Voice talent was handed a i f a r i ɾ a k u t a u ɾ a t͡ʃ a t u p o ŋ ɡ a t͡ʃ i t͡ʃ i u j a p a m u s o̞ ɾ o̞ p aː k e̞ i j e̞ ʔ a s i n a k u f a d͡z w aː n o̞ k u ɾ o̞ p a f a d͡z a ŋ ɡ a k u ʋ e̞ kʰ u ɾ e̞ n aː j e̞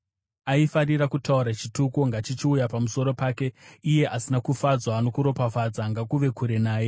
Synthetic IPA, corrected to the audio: a i f a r i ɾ a k u t a u ɾ a t͡ʃ i t u k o ŋ ɡ a t͡ʃ i t͡ʃ i u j a p a m u s o̞ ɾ o̞ p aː k e̞ i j e̞ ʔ a s i n a k u f a d͡z w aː n o̞ k u ɾ o̞ p a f a d͡z a ŋ ɡ a k u ʋ e̞ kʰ u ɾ e̞ n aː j e̞